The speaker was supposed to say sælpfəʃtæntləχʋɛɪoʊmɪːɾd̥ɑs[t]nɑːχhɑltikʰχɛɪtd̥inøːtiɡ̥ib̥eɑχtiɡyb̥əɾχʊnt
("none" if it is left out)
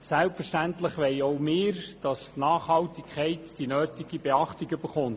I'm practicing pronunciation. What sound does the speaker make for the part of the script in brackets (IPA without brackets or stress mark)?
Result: t